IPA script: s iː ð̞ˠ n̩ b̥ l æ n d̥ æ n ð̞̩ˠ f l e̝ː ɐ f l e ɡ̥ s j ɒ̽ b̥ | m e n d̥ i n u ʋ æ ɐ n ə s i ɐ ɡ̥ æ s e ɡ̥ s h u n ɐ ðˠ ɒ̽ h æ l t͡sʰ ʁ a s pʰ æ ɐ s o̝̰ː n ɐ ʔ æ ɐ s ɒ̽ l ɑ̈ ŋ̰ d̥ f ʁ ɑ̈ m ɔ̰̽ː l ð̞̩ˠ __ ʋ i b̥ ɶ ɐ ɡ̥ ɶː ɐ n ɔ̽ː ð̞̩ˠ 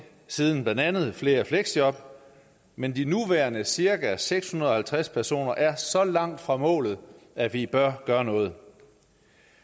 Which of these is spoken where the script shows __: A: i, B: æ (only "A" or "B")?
B